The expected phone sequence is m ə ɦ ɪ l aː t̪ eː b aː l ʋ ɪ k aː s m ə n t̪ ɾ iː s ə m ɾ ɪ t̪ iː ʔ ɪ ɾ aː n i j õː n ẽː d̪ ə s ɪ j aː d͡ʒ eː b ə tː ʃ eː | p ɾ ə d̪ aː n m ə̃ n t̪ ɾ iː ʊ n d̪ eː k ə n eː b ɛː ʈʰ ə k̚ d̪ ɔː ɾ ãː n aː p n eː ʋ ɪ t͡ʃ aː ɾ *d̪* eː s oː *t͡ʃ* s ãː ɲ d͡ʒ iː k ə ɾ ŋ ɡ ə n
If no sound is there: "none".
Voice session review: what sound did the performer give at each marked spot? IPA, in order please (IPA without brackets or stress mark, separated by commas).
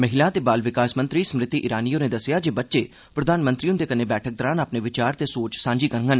t̪, t͡ʃ